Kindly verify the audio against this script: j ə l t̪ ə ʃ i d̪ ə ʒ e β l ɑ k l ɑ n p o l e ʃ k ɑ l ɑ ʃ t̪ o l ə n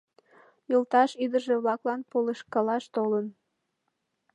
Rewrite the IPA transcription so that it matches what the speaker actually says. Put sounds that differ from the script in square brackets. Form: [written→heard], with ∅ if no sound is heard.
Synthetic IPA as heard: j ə l t̪ [ə→ɑ] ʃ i d̪ ə ʒ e β l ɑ k l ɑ n p o l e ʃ k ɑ l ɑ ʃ t̪ o l ə n

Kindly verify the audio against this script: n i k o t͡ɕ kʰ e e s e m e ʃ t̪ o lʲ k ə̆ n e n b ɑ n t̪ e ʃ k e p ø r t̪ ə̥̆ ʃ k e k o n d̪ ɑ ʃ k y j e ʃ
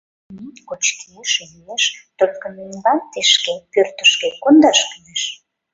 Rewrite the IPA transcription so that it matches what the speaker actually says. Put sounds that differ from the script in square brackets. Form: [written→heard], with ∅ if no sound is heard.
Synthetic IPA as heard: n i k o t͡ɕ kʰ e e [s→ʃ] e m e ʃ t̪ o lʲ k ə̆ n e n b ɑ n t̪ e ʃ k e p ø r t̪ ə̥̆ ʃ k e k o n d̪ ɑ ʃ k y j e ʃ

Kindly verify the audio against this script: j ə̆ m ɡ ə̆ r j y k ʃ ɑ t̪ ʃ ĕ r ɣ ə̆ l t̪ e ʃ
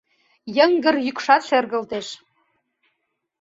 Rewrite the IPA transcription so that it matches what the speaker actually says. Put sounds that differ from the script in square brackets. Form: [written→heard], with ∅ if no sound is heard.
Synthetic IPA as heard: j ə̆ [m→ŋ] ɡ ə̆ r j y k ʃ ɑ t̪ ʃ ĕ r ɣ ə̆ l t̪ e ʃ

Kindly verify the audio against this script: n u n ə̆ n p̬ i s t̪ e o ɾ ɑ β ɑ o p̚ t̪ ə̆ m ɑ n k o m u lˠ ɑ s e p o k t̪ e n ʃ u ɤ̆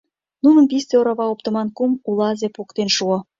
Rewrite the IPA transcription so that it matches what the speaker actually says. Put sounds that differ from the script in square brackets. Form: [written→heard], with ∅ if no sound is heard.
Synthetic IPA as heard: n u n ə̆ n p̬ i s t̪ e o ɾ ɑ β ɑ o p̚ t̪ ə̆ m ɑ n k [o→u] m u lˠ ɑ [s→z] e p o k t̪ e n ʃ u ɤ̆

